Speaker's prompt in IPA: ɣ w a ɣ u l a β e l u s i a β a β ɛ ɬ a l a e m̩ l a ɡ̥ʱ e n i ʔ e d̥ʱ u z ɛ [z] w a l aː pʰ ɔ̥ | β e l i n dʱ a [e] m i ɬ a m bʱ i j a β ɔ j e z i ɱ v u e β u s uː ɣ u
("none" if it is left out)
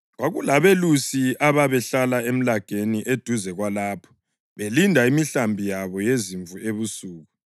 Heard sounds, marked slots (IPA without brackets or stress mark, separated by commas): ɣ, i